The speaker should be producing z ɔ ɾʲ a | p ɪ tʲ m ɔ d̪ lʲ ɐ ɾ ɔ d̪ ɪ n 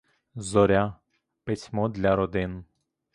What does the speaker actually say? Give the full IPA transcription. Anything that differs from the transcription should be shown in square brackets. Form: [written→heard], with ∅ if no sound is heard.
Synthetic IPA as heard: z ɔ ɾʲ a | p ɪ [tʲ→sʲ] m ɔ d̪ lʲ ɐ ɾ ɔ d̪ ɪ n